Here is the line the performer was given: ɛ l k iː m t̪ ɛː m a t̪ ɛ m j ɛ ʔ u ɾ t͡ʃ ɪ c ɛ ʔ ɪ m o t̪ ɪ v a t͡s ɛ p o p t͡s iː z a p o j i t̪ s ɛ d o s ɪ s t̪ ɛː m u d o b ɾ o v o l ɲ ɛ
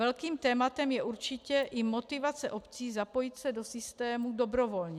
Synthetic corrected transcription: ɛ l k iː m t̪ ɛː m a t̪ ɛ m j ɛ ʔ u ɾ t͡ʃ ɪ c ɛ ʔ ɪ m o t̪ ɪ v a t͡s ɛ ʔ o p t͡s iː z a p o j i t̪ s ɛ d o s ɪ s t̪ ɛː m u d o b ɾ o v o l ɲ ɛ

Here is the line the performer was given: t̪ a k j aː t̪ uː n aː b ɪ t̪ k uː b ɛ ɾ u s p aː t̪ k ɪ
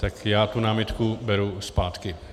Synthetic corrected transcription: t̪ a k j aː t̪ u n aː m ɪ t̪ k u b ɛ ɾ u s p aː t̪ k ɪ

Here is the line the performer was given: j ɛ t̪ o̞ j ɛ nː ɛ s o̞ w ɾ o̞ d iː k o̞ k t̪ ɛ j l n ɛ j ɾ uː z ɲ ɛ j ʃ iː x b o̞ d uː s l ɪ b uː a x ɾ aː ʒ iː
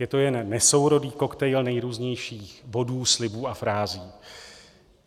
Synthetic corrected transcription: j ɛ t̪ o̞ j ɛ nː ɛ s o̞ w ɾ o̞ d iː k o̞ k t̪ ɛ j l n ɛ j ɾ uː z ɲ ɛ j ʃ iː x b o̞ d uː s l ɪ b uː a f ɾ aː z iː

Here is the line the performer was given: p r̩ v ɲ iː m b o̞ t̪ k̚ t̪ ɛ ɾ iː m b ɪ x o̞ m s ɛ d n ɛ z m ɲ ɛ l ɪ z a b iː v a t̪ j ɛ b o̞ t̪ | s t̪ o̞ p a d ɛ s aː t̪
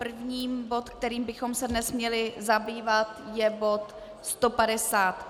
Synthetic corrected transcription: p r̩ v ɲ iː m b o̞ t̪ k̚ t̪ ɛ ɾ iː m b ɪ x o̞ m s ɛ d n ɛ s m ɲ ɛ l ɪ z a b iː v a t̪ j ɛ b o̞ t̪ | s t̪ o̞ p a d ɛ s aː t̪

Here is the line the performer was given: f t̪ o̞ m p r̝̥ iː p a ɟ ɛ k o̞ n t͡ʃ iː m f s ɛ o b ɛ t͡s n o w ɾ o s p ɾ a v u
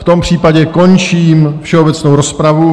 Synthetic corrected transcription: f t̪ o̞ m p r̝̥ iː p a ɟ ɛ k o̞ n t͡ʃ iː m f ʃ ɛ o b ɛ t͡s n o w ɾ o s p ɾ a v u

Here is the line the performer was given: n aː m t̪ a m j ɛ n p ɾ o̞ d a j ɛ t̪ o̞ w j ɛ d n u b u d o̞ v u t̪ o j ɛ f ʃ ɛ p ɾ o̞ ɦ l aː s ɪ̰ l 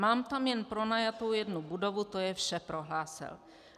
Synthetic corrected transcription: m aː m t̪ a m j ɛ n p ɾ o̞ n a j a t̪ o̞ w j ɛ d n u b u d o̞ v u t̪ o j ɛ f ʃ ɛ p ɾ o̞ ɦ l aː s ɪ̰ l

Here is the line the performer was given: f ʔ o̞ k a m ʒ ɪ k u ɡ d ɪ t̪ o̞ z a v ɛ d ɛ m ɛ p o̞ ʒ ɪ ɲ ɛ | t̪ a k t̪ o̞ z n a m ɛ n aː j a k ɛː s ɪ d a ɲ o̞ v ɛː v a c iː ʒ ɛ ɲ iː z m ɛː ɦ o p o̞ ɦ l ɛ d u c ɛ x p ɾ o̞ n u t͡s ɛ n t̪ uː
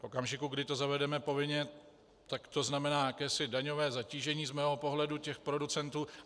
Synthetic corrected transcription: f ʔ o̞ k a m ʒ ɪ k u ɡ d ɪ t̪ o̞ z a v ɛ d ɛ m ɛ p o̞ v ɪ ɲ ɛ | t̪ a k t̪ o̞ z n a m ɛ n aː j a k ɛː s ɪ d a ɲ o̞ v ɛː z a c iː ʒ ɛ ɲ iː z m ɛː ɦ o p o̞ ɦ l ɛ d u c ɛ x p ɾ o̞ d u t͡s ɛ n t̪ uː

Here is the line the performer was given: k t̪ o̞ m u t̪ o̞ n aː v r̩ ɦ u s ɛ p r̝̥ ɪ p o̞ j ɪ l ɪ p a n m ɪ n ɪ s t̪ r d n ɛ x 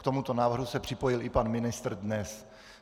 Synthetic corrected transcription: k t̪ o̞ m u t̪ o̞ n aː v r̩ ɦ u s ɛ p r̝̥ ɪ p o̞ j ɪ l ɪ p a n m ɪ n ɪ s t̪ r d n ɛ s

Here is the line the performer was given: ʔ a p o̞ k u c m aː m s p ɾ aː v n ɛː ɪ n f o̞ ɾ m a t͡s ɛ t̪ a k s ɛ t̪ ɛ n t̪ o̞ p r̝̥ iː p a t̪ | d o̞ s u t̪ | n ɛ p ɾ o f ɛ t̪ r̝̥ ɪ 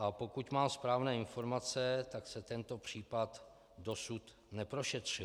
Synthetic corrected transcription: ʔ a p o̞ k u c m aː m s p ɾ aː v n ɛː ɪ n f o̞ ɾ m a t͡s ɛ t̪ a k s ɛ t̪ ɛ n t̪ o̞ p r̝̥ iː p a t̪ | d o̞ s u t̪ | n ɛ p ɾ o ʃ ɛ t̪ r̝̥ ɪ

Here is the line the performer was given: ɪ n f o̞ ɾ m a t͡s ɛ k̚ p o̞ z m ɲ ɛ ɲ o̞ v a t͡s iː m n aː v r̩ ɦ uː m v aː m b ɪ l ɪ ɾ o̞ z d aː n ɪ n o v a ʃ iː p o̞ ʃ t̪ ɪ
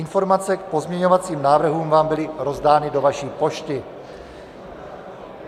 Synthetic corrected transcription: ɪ n f o̞ ɾ m a t͡s ɛ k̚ p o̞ z m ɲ ɛ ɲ o̞ v a t͡s iː m n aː v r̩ ɦ uː m v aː m b ɪ l ɪ ɾ o̞ z d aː n ɪ d o v a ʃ iː p o̞ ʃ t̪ ɪ

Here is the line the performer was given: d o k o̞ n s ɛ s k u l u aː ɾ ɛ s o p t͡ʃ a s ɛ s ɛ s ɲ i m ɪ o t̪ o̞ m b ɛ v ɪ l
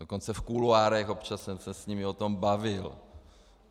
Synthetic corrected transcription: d o k o̞ n t͡s ɛ f k u l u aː ɾ ɛ x o p t͡ʃ a s ɛ s ɛ s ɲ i m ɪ o t̪ o̞ m b a v ɪ l

